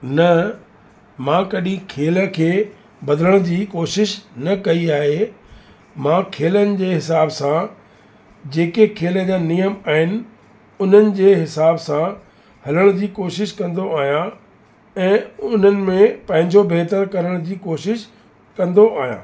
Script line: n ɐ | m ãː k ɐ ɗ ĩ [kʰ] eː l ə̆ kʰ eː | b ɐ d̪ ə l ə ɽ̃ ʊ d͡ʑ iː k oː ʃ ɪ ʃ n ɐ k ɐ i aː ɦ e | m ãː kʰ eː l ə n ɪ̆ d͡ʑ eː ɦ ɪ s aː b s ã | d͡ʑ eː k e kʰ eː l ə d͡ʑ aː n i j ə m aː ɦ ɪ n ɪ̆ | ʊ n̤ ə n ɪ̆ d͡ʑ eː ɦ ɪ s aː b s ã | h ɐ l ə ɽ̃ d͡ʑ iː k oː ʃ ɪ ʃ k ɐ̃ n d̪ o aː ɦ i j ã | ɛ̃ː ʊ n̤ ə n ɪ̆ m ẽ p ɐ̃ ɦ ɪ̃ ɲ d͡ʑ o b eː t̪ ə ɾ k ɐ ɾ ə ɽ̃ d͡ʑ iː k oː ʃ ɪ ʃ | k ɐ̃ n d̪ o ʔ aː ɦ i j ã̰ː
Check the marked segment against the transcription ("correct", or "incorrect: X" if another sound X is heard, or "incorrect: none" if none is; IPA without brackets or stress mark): correct